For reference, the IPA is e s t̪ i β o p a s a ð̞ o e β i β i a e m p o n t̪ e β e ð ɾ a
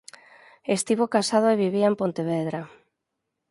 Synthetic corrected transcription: e s t̪ i β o k a s a ð̞ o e β i β i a e m p o n t̪ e β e ð ɾ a